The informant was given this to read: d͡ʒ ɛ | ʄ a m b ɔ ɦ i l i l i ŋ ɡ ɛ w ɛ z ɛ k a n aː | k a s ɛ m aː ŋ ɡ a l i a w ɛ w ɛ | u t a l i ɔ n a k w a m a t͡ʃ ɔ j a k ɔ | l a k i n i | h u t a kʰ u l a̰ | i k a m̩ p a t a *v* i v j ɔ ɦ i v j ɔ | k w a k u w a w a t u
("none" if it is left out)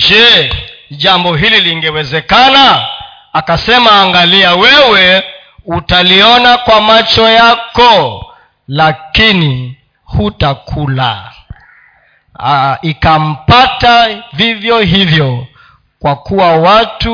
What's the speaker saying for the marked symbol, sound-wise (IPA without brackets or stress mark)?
v